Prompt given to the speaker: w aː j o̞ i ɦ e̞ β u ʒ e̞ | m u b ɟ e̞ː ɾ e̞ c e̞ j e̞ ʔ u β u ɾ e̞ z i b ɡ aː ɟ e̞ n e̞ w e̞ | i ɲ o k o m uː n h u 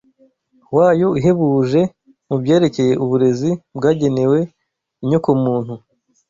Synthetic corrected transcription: w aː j o̞ i ɦ e̞ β u ʒ e̞ | m u b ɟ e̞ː ɾ e̞ c e̞ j e̞ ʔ u β u ɾ e̞ z i b ɡ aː ɟ e̞ n e̞ w e̞ | i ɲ o k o m uː n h u